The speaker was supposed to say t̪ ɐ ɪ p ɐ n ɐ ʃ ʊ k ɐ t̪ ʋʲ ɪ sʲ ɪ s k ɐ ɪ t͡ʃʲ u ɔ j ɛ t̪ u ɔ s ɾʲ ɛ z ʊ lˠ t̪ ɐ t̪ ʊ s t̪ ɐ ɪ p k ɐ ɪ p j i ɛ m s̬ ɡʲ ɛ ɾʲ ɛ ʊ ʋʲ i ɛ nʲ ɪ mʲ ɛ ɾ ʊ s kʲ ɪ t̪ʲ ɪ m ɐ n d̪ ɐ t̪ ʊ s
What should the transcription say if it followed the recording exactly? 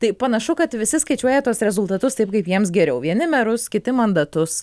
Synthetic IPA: t̪ ɐ ɪ p ɐ n ɐ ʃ ʊ k ɐ t̪ ʋʲ ɪ sʲ ɪ s k ɐ ɪ t͡ʃʲ u ɔ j ɛ t̪ u ɔ s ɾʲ ɛ z ʊ lˠ t̪ ɐ t̪ ʊ s t̪ ɐ ɪ p k ɐ ɪ p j i ɛ m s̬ ɡʲ ɛ ɾʲ ɛ ʊ ʋʲ i ɛ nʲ ɪ mʲ ɛ ɾ ʊ s kʲ ɪ t̪ʲ ɪ m ɐ n d̪ ɐ t̪ ʊ s